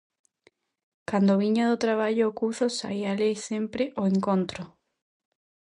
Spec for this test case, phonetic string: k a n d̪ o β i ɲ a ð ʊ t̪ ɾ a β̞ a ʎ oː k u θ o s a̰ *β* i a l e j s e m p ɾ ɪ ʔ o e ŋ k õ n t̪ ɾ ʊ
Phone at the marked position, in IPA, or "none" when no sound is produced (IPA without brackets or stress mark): none